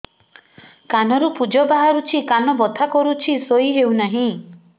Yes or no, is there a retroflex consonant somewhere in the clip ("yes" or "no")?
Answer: no